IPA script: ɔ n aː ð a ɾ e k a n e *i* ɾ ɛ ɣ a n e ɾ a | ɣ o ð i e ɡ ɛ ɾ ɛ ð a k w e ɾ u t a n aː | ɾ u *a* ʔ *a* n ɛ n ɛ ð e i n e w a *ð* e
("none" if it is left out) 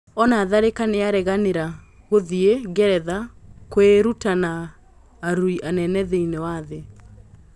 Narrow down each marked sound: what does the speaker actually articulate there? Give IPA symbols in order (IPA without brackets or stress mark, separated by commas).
a, i, a, ð